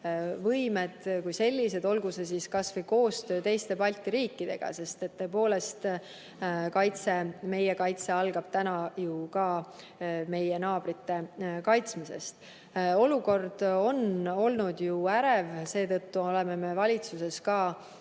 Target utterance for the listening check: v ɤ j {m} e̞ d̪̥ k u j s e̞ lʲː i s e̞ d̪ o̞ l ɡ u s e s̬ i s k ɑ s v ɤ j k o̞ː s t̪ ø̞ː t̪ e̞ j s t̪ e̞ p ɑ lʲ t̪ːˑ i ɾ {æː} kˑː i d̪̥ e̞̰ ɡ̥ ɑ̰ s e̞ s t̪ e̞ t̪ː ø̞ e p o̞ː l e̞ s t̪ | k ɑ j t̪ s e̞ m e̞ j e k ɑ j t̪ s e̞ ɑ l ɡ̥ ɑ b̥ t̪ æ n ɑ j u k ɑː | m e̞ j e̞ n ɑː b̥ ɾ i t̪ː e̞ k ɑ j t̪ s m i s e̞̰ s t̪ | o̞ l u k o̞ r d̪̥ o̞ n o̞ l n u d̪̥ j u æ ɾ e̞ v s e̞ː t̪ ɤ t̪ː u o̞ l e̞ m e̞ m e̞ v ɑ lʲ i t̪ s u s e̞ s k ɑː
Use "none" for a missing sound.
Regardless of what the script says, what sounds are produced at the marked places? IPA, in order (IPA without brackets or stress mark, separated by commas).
m, iː